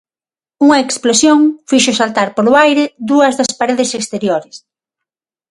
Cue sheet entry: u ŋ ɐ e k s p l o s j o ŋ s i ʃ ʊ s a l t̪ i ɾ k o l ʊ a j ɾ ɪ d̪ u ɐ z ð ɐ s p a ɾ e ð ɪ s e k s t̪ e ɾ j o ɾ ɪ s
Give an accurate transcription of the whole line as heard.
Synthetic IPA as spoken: u ŋ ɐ e k s p l o s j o ŋ f i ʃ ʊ s a l t̪ a ɾ p o l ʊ a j ɾ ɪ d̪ u ɐ z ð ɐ s p a ɾ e ð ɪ s e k s t̪ e ɾ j o ɾ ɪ s